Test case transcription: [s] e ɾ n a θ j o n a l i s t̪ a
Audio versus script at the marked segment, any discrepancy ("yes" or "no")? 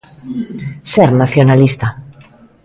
no